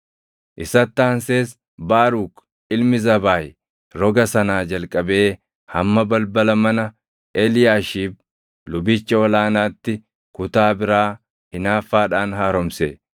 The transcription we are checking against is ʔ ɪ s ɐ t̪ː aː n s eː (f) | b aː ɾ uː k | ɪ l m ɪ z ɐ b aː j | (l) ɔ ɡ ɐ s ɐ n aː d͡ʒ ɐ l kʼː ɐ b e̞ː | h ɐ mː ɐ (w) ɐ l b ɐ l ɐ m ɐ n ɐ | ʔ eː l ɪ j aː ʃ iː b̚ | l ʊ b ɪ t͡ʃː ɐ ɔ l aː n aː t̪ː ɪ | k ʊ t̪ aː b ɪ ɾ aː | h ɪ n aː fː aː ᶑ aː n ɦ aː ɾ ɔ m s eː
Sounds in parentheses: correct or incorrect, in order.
incorrect, incorrect, incorrect

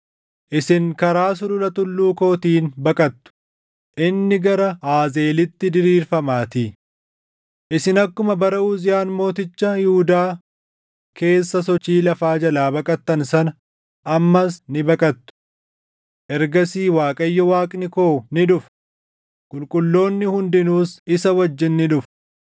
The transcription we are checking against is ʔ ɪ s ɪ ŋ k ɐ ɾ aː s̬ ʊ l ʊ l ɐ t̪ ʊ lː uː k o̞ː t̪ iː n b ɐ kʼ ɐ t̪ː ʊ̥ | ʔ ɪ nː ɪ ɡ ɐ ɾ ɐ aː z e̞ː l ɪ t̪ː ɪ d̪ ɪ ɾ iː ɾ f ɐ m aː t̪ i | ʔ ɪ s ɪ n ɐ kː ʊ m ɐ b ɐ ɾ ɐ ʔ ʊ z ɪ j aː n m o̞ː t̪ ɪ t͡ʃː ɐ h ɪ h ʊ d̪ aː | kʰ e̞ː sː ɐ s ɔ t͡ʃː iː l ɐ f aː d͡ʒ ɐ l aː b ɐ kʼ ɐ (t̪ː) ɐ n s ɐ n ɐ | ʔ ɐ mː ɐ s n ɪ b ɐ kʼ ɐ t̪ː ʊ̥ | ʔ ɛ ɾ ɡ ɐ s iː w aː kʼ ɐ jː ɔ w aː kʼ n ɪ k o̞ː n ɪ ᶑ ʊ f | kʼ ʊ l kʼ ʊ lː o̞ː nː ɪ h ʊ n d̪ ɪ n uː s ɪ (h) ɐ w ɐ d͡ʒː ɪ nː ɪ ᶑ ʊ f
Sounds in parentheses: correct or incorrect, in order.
correct, incorrect

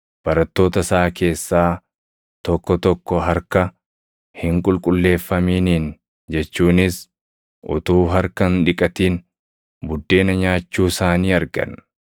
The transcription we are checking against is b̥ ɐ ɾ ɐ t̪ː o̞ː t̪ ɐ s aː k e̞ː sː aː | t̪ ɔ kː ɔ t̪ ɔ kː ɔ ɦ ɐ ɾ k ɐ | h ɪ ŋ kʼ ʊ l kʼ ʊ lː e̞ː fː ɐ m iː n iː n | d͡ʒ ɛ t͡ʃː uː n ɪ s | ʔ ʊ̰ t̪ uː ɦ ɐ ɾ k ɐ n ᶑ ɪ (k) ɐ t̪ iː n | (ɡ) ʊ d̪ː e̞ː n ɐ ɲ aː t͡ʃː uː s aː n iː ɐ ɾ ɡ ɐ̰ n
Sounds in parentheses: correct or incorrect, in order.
incorrect, incorrect

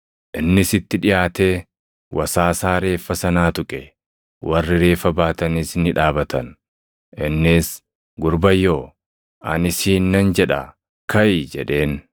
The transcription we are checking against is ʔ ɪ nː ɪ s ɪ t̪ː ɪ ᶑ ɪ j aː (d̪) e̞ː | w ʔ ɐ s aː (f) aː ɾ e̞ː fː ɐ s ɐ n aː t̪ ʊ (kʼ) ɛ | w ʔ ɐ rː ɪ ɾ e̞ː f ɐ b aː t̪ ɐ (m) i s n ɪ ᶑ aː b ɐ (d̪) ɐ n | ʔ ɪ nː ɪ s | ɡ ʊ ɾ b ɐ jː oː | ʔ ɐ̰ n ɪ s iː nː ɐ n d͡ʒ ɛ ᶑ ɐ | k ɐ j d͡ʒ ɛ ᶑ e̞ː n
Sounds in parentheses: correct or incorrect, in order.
incorrect, incorrect, correct, incorrect, incorrect

